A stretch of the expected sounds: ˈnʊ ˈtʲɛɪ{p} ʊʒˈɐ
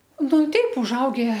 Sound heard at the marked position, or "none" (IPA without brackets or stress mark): p